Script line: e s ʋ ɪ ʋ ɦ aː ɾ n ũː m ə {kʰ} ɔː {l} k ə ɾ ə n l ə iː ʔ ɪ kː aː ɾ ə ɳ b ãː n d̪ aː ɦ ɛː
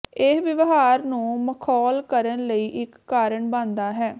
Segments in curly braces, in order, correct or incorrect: correct, correct

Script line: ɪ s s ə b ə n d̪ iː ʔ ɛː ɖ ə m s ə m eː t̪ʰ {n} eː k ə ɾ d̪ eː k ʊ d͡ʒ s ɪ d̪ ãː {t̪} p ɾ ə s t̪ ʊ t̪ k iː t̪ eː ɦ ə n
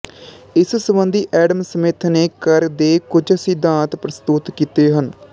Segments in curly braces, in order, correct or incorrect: correct, correct

